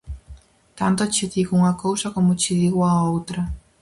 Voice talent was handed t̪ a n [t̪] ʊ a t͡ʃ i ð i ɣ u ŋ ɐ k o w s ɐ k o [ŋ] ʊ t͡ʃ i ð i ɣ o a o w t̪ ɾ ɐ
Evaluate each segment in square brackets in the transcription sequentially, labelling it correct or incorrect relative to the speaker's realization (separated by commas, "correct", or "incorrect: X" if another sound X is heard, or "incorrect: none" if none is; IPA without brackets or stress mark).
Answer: correct, incorrect: m